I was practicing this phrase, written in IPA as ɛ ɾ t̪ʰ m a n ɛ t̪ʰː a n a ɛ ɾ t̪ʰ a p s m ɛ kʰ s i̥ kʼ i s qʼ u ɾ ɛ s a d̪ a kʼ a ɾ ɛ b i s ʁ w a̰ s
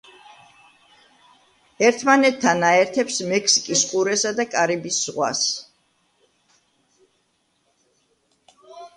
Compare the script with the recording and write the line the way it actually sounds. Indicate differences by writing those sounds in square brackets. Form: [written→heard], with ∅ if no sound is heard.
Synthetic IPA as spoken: ɛ ɾ t̪ʰ m a n ɛ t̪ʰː a n a ɛ ɾ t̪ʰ [a→ɛ] p s m ɛ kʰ s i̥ kʼ i s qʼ u ɾ ɛ s a d̪ a kʼ a ɾ [ɛ→i] b i s ʁ w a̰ s